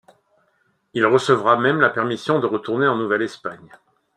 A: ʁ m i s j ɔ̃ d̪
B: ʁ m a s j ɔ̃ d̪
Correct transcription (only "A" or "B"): A